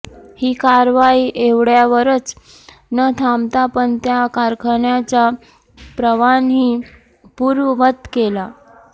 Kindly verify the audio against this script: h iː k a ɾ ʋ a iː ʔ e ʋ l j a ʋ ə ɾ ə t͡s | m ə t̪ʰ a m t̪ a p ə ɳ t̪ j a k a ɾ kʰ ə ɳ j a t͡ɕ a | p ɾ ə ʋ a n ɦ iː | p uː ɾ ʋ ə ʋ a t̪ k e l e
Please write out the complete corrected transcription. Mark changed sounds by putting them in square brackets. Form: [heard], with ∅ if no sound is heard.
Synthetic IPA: h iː k a ɾ ʋ a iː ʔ e ʋ [ɽ] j a ʋ ə ɾ ə t͡s | [n] ə t̪ʰ a m t̪ a p ə ɳ t̪ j a k a ɾ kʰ ə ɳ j a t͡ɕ a | p ɾ ə ʋ a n ɦ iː | p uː ɾ ʋ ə ʋ [ə] t̪ k e l [a]

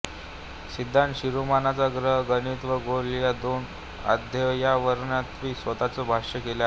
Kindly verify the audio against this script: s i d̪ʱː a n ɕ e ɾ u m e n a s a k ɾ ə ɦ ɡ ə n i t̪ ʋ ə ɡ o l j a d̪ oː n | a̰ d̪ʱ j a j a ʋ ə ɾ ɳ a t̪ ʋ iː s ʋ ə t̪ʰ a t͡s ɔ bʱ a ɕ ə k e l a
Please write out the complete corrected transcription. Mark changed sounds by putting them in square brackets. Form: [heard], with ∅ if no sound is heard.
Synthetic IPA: s i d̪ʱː a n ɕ [i] ɾ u m [a] n a [t͡s] a [ɡ] ɾ ə ɦ ɡ ə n i t̪ ʋ ə ɡ o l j a d̪ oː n | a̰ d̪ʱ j [ə] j a ʋ ə ɾ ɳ a t̪ ʋ iː s ʋ ə [t̪] a t͡s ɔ bʱ a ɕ ə k e l a

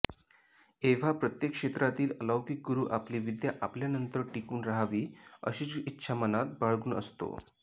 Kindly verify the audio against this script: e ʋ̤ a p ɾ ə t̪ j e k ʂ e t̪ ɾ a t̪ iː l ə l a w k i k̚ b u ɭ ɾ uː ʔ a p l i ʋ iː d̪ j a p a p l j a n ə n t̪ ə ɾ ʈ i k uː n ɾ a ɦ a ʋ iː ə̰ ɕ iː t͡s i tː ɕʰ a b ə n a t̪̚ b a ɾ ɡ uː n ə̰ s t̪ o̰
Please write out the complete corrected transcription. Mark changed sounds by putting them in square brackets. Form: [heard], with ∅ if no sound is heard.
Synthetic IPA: e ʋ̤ a p ɾ ə t̪ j e k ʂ e t̪ ɾ a t̪ iː l ə l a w k i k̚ [ɡ] u [∅] ɾ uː ʔ a p l i ʋ [i] d̪ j a [ʔ] a p l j a n ə n t̪ ə ɾ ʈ i k uː n ɾ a ɦ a ʋ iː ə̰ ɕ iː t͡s i tː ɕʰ a [m] ə n a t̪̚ b a [ɭ] ɡ uː n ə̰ s t̪ o̰

